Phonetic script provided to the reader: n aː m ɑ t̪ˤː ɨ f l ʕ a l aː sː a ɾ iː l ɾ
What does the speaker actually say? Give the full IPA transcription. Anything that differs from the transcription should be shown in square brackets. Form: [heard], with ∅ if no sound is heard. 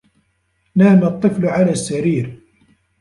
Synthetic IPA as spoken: n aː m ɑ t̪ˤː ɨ f l ʕ a l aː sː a ɾ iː [∅] ɾ